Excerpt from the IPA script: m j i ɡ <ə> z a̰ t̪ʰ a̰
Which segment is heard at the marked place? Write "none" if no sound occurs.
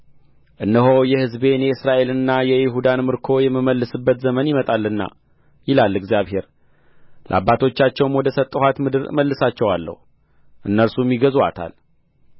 ə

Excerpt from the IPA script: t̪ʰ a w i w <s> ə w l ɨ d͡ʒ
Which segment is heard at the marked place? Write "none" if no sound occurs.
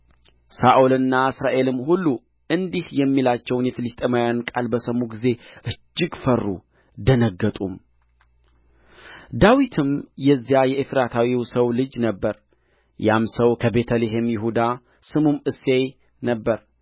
s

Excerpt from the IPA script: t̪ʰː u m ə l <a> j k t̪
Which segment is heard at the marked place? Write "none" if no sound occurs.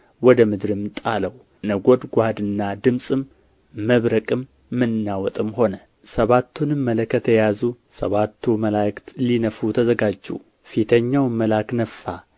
a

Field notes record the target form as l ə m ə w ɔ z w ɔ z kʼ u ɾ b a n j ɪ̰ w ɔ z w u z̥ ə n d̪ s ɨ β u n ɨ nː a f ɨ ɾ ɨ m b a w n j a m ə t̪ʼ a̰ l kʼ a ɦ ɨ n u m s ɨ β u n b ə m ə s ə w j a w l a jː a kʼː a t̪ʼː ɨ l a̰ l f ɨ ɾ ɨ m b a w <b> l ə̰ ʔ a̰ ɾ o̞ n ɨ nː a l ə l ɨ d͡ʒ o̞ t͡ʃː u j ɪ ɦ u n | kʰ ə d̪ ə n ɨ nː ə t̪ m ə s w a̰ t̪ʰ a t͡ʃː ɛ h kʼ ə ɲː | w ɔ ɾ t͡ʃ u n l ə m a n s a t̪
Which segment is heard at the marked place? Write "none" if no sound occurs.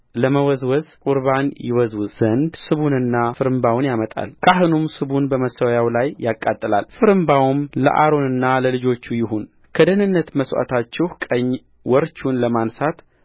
m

